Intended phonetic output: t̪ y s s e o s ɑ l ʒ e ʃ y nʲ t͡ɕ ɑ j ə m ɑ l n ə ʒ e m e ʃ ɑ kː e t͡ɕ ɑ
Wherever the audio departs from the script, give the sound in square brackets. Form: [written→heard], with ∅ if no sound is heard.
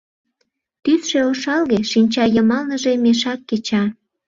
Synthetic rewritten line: t̪ y s [s→ʃ] e o [s→ʃ] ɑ l [ʒ→ɣ] e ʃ [y→i] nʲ t͡ɕ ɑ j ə m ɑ l n ə ʒ e m e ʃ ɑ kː e t͡ɕ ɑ